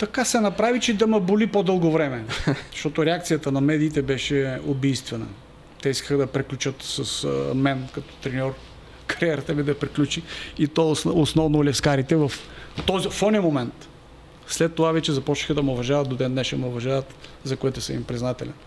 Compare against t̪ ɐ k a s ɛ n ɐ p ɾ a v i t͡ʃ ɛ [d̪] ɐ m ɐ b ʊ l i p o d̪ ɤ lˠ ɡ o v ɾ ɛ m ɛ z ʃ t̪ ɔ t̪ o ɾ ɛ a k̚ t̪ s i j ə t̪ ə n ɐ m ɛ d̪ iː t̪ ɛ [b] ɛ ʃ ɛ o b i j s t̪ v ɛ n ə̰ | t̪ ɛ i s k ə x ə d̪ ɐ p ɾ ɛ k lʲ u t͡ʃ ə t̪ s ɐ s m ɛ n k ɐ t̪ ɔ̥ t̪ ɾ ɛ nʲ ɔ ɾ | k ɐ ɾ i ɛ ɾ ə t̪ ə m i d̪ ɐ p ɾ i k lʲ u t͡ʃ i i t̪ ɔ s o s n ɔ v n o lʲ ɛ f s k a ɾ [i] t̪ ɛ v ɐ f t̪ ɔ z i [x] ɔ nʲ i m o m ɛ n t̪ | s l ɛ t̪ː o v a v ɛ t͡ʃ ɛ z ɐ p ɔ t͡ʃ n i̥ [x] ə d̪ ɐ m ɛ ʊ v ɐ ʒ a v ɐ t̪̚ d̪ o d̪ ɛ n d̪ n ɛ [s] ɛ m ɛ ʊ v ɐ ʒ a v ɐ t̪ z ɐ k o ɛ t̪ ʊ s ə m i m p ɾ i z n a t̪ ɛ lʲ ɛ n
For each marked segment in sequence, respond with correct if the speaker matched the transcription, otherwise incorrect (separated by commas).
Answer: correct, correct, correct, incorrect, correct, incorrect